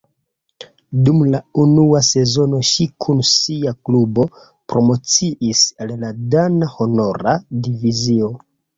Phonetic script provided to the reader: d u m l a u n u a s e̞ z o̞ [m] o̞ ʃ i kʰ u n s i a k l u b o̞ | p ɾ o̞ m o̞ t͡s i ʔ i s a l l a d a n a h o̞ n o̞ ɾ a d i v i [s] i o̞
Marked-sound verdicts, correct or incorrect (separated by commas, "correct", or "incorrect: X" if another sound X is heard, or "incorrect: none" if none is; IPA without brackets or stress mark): incorrect: n, incorrect: z